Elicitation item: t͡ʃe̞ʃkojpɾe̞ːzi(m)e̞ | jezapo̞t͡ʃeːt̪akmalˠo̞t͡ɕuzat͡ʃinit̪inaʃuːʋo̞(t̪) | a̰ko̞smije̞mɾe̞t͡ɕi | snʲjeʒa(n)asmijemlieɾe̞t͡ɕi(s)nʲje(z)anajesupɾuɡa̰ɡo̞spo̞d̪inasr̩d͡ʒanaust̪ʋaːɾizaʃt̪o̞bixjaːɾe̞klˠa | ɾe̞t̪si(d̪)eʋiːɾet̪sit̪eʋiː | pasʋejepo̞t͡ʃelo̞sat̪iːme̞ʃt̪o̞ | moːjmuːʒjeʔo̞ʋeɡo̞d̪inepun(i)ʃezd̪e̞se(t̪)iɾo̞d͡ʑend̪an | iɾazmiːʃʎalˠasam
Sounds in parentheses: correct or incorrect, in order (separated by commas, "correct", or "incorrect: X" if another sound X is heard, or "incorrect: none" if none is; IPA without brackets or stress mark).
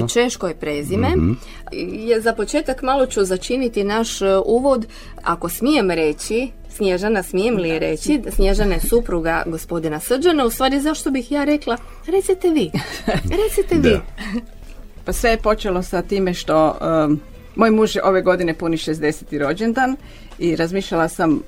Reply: correct, incorrect: d̪, correct, correct, incorrect: ʒ, incorrect: t̪, correct, correct